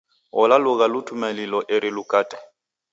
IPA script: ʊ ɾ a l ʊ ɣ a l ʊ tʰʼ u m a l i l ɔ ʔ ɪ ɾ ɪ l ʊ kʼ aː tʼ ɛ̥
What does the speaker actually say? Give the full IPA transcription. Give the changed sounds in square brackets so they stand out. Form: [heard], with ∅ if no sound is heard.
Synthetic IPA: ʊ [l] a l ʊ ɣ a l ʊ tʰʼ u m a l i l ɔ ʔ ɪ ɾ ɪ l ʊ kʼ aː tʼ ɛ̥